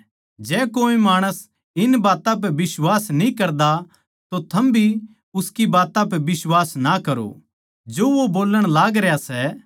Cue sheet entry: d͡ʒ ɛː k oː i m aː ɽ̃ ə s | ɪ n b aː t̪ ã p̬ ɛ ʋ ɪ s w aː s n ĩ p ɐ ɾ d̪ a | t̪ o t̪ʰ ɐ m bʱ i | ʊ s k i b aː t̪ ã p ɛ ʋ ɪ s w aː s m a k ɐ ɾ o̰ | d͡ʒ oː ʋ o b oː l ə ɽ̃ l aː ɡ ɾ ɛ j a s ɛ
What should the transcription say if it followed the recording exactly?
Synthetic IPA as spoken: d͡ʒ ɛː k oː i m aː ɽ̃ ə s | ɪ n b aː t̪ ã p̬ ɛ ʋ ɪ s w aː s n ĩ k ɐ ɾ d̪ a | t̪ o t̪ʰ ɐ m bʱ i | ʊ s k i b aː t̪ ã p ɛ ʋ ɪ s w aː s n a k ɐ ɾ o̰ | d͡ʒ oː ʋ o b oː l ə ɽ̃ l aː ɡ ɾ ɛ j a s ɛ